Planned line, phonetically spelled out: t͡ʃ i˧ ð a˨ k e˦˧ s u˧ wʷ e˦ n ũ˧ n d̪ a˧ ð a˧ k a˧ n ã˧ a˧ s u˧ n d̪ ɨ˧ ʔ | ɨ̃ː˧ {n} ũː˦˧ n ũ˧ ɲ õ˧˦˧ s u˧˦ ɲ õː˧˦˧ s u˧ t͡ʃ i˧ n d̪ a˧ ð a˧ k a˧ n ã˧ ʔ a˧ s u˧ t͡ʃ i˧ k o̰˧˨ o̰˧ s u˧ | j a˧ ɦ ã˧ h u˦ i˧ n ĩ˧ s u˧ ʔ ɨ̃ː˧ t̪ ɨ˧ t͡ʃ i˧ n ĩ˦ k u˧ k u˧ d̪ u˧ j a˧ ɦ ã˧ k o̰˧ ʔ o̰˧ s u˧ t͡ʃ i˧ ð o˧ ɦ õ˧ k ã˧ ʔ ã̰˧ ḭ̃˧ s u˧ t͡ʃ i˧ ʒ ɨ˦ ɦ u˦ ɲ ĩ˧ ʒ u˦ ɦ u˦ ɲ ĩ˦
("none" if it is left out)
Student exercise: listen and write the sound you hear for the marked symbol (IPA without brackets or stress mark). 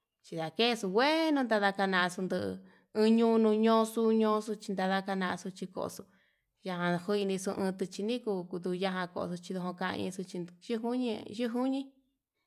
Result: ɲ